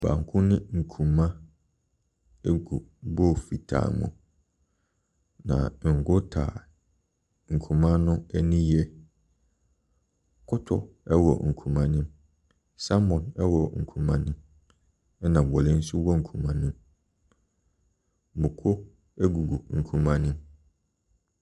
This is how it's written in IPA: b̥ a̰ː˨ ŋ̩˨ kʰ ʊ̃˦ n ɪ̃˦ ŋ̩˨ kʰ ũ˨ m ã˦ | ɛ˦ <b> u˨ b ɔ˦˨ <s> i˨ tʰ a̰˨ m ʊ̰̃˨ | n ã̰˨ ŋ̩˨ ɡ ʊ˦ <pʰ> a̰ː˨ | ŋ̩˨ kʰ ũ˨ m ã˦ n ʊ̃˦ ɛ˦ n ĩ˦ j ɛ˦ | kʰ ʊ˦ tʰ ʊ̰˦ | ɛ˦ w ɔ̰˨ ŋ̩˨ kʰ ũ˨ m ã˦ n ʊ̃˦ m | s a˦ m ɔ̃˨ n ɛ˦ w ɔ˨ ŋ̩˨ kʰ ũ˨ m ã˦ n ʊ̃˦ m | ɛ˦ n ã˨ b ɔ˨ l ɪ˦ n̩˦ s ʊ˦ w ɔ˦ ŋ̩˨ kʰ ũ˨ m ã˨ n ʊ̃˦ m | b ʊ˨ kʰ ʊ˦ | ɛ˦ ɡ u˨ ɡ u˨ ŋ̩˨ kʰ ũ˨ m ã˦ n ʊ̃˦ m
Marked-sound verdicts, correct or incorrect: incorrect: ɡ, incorrect: f, incorrect: tʰ

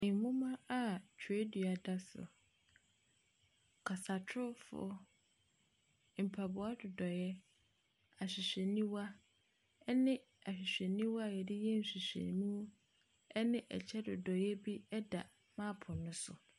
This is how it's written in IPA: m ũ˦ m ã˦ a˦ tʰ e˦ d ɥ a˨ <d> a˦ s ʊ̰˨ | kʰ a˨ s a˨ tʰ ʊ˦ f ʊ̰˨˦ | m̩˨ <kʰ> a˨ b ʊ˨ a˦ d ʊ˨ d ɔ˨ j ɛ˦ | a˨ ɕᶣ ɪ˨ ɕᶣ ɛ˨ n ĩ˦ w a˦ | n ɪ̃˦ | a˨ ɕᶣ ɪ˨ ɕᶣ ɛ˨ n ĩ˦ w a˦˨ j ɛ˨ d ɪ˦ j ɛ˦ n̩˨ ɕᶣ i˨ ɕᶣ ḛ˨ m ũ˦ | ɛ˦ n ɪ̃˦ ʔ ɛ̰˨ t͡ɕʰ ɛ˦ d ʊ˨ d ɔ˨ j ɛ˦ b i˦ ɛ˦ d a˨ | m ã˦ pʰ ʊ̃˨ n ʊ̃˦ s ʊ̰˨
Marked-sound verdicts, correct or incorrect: correct, incorrect: pʰ

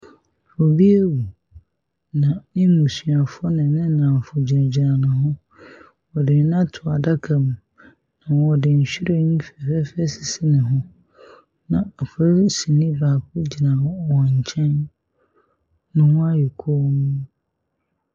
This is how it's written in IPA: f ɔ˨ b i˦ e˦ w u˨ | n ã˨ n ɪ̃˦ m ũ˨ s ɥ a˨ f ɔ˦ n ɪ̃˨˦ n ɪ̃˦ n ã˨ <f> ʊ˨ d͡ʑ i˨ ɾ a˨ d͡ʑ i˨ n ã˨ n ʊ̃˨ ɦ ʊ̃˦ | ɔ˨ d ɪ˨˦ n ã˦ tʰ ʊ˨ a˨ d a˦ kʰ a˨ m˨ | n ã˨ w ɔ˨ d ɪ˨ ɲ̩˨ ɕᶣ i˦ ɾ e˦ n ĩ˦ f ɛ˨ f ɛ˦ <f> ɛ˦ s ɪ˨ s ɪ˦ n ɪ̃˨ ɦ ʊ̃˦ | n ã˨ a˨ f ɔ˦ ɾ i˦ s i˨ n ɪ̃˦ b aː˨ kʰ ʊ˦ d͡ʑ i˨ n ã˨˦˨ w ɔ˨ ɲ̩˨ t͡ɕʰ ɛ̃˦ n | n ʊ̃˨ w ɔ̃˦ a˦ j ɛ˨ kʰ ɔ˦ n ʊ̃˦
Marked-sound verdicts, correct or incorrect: correct, correct

